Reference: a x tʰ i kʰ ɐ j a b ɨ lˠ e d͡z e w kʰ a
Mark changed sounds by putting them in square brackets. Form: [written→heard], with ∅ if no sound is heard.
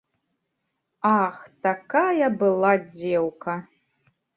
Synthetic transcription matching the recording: a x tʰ [i→a] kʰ [ɐ→a] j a b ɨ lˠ [e→a] d͡z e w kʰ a